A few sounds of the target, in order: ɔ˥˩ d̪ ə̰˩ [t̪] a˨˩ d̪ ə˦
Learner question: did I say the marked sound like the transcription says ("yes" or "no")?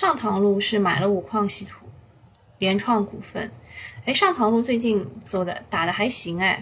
yes